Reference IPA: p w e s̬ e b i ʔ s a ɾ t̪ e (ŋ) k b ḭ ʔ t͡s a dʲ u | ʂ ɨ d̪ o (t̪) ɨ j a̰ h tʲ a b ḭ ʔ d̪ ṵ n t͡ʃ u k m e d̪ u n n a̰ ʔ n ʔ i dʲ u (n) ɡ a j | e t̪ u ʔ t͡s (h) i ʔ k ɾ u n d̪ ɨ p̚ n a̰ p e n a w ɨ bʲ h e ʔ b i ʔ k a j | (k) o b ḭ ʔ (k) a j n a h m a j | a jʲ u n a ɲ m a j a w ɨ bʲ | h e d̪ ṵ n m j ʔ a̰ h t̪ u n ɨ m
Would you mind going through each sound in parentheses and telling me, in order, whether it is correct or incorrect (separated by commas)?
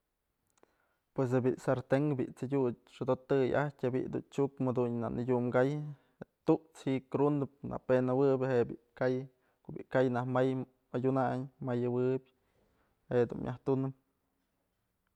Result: correct, correct, incorrect, correct, correct, correct